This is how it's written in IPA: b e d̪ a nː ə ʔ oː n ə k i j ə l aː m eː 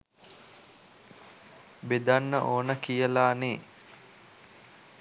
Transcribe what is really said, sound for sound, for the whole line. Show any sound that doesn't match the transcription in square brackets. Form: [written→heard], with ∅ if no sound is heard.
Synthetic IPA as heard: b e d̪ a nː ə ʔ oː n ə k i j ə l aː [m→n] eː